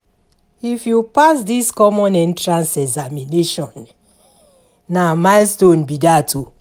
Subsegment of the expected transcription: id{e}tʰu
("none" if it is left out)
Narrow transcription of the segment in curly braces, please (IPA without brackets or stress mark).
a